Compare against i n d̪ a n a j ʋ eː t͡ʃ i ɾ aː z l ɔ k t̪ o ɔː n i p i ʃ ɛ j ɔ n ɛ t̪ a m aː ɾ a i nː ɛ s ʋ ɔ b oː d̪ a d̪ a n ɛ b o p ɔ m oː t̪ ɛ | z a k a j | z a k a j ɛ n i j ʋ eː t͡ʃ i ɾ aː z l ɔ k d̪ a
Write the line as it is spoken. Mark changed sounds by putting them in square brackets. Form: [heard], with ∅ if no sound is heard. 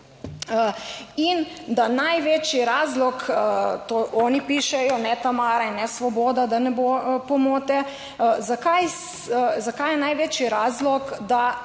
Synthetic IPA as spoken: i n d̪ a n a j ʋ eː t͡ʃ i ɾ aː z l ɔ k t̪ o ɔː n i p i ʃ ɛ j ɔ n ɛ t̪ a m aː ɾ a i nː ɛ s ʋ ɔ b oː d̪ a d̪ a n ɛ b o p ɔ m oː t̪ ɛ | z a k a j | z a k a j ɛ n [a] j ʋ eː t͡ʃ i ɾ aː z l ɔ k d̪ a